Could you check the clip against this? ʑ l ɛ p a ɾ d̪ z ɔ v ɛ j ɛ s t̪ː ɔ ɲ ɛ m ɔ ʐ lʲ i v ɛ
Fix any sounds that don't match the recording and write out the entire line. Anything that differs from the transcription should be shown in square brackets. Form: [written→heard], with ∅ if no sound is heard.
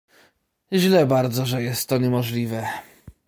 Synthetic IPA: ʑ l ɛ [p→b] a ɾ d̪ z ɔ [v→ʐ] ɛ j ɛ s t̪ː ɔ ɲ ɛ m ɔ ʐ lʲ i v ɛ